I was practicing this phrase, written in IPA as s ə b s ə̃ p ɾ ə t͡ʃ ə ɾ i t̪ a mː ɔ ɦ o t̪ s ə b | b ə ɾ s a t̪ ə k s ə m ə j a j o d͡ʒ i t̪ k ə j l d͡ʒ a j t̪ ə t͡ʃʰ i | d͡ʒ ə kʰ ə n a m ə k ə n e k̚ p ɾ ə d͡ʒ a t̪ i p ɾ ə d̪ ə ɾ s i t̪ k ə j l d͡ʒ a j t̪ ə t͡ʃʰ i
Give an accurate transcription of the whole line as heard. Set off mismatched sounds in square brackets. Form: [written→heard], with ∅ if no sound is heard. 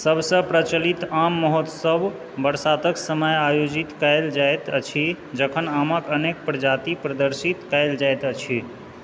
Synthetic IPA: s ə b s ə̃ p ɾ ə t͡ʃ ə [ɾ→l] i t̪ a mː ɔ ɦ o t̪ s ə b | b ə ɾ s a t̪ ə k s ə m ə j a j o d͡ʒ i t̪ k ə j l d͡ʒ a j t̪ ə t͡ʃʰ i | d͡ʒ ə kʰ ə n a m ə k ə n e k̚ p ɾ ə d͡ʒ a t̪ i p ɾ ə d̪ ə ɾ s i t̪ k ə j l d͡ʒ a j t̪ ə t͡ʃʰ i